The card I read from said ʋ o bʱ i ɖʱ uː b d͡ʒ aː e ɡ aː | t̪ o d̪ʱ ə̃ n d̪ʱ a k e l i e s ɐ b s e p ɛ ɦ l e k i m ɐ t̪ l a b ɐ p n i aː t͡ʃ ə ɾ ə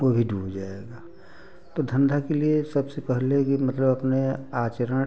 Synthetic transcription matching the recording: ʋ o bʱ i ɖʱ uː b d͡ʒ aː e ɡ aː | t̪ o d̪ʱ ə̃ n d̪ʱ a k e l i e s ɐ b s e p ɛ ɦ l e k i m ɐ t̪ l ə b ɐ p n e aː t͡ʃ ə ɾ ə